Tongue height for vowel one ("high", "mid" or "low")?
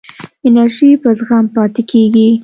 high